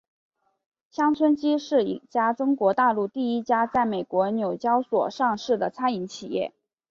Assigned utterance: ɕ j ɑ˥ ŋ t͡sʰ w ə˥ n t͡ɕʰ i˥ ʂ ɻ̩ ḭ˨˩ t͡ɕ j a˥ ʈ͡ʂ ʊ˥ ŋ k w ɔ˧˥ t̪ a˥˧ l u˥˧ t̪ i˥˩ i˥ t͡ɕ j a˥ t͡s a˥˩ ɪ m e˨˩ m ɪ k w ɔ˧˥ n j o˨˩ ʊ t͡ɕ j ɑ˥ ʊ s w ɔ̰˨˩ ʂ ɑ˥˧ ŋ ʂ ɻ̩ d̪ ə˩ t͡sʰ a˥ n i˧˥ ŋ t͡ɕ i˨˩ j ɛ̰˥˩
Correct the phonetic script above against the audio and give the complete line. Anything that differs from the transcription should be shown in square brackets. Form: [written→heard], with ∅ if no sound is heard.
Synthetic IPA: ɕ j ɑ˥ ŋ t͡sʰ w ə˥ n [t͡ɕʰ→t͡ɕ] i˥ ʂ ɻ̩ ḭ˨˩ t͡ɕ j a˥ ʈ͡ʂ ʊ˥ ŋ k w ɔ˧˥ t̪ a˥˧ l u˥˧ t̪ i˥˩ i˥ t͡ɕ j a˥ t͡s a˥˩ ɪ m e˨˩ [m→∅] ɪ k w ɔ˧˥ n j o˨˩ ʊ t͡ɕ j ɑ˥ ʊ s w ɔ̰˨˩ ʂ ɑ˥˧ ŋ ʂ ɻ̩ d̪ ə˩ t͡sʰ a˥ n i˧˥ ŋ [t͡ɕ→t͡ɕʰ] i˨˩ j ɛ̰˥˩